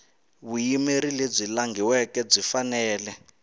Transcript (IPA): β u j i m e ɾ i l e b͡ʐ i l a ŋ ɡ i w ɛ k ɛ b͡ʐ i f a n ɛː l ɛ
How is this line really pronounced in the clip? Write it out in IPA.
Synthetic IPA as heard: β u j i m e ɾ i l e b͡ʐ i l a ŋ ɡ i w ɛ k ɛ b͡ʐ i f a n ɛː l ɛ